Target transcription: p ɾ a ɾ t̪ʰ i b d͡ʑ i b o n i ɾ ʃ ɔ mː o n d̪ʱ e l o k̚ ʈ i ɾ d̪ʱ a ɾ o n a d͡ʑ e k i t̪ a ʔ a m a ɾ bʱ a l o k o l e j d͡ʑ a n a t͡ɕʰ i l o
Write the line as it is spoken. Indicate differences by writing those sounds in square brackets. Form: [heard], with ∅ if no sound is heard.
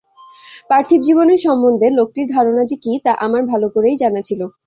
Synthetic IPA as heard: p ɾ a ɾ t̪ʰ i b d͡ʑ i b o n [e] ɾ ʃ ɔ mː o n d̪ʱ e l o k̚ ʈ i ɾ d̪ʱ a ɾ o n a d͡ʑ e k i t̪ a ʔ a m a ɾ bʱ a l o k o [ɾ] e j d͡ʑ a n a t͡ɕʰ i l o